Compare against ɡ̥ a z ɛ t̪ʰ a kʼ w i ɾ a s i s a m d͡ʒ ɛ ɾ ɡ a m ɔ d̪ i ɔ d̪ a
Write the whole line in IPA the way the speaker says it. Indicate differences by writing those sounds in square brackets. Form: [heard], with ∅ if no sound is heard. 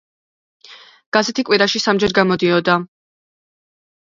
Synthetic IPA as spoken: ɡ̥ a z ɛ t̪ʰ [i] kʼ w i ɾ a [ʃ] i s a m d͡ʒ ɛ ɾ ɡ a m ɔ d̪ i ɔ d̪ a